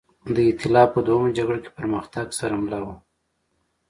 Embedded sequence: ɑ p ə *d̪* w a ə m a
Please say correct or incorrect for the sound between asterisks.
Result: correct